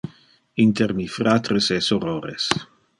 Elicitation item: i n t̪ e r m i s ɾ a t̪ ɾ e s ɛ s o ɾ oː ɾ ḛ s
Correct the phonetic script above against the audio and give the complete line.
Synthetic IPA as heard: i n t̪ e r m i f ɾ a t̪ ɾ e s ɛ s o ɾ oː ɾ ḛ s